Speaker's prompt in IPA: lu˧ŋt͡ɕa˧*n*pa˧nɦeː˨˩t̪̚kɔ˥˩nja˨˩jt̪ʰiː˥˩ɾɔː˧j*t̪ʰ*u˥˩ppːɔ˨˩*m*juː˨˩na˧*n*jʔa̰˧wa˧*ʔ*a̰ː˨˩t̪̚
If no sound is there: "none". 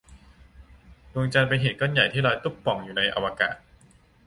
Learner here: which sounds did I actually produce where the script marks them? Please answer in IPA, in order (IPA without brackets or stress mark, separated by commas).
n, t̪, ŋ, none, k